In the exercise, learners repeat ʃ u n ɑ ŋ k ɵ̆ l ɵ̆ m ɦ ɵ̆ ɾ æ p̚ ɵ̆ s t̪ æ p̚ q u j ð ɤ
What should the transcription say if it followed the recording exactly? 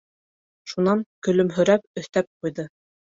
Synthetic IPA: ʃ u n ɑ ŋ k ɵ̆ l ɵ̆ m ɦ ɵ̆ ɾ æ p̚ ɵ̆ θ t̪ æ p̚ q u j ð ɤ

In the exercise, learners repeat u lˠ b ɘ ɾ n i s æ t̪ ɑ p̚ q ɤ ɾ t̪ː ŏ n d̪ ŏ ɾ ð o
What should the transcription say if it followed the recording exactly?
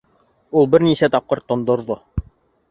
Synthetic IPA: u lˠ b ɘ ɾ n i s æ t̪ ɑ p̚ q ɤ ɾ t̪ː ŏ n d̪ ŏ ɾ ð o

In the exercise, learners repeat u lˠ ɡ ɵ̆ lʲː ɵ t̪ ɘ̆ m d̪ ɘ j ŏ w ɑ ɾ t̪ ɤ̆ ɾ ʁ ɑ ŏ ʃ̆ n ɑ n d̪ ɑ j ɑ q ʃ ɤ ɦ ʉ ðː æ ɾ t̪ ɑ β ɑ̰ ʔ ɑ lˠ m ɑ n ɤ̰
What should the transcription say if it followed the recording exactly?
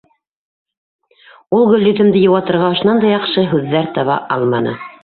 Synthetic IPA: u lˠ ɡ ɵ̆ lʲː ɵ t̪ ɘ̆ m d̪ ɘ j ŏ w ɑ t̪ ɤ̆ ɾ ʁ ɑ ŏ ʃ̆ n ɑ n d̪ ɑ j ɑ q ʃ ɤ ɦ ʉ ðː æ ɾ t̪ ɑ β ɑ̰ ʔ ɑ lˠ m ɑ n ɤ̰

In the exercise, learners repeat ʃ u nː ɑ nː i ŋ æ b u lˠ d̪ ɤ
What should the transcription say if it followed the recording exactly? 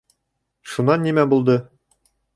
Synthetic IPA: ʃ u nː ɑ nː i m æ b u lˠ d̪ ɤ

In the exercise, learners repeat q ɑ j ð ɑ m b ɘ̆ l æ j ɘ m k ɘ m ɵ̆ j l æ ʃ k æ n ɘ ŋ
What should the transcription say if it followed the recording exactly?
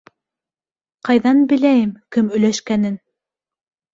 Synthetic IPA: q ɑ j ð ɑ n b ɘ̆ l æ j ɘ m k ɘ m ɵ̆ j l æ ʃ k æ n ɘ n

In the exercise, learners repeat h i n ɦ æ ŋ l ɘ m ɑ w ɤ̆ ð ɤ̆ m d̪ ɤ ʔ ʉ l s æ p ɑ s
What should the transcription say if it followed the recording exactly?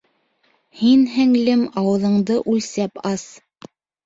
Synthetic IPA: h i n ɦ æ ŋ l ɘ m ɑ w ɤ̆ ð ɤ̆ ɴ d̪ ɤ ʔ ʉ l s æ p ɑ s

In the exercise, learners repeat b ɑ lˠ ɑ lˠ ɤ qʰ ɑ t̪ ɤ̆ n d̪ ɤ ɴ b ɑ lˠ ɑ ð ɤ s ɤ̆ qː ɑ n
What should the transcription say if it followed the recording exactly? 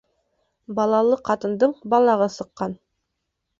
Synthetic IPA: b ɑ lˠ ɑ lˠ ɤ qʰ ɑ t̪ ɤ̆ n d̪ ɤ ɴ b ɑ lˠ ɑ ʁ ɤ s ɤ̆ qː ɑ n

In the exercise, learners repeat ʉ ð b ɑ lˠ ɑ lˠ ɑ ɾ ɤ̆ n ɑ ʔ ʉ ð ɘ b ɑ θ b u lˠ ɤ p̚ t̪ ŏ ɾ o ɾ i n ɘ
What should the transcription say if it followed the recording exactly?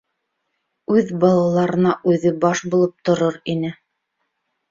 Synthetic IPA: ʉ ð b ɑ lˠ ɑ lˠ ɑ ɾ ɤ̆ n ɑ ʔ ʉ ð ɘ b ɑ ʃ b u lˠ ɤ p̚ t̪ ŏ ɾ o ɾ i n ɘ

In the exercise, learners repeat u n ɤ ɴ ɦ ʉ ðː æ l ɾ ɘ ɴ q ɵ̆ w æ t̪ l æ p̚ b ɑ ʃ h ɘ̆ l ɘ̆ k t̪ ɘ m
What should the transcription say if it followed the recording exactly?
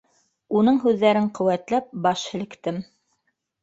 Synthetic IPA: u n ɤ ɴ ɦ ʉ ðː æ ɾ ɘ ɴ q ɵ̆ w æ t̪ l æ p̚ b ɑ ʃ h ɘ̆ l ɘ̆ k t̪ ɘ m

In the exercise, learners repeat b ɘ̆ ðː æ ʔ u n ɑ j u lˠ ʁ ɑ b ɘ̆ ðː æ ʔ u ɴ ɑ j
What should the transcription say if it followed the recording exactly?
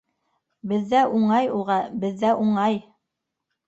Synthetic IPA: b ɘ̆ ðː æ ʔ u ɴ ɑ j u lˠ ʁ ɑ b ɘ̆ ðː æ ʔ u ɴ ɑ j

